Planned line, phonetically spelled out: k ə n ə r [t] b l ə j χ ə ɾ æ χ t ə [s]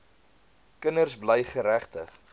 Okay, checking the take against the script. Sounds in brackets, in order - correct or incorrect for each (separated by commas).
incorrect, incorrect